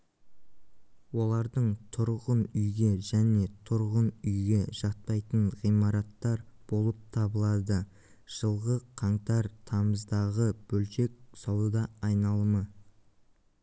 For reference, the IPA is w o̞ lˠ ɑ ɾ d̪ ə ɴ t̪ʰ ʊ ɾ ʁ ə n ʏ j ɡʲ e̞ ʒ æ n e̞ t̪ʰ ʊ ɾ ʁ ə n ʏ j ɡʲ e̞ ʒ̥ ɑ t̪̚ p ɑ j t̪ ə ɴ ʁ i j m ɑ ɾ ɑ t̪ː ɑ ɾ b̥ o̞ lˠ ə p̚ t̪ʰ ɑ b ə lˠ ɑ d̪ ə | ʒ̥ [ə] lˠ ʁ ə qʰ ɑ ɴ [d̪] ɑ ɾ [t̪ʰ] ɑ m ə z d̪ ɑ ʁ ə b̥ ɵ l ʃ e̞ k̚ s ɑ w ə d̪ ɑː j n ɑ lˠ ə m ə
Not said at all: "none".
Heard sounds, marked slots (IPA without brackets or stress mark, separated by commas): ə, t̪, t̪ʰ